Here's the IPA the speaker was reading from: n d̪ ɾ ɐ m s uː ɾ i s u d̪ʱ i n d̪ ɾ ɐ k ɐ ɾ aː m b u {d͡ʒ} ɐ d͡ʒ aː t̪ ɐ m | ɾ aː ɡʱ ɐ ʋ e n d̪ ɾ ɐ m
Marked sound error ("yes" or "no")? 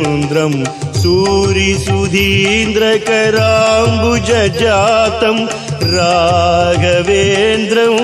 no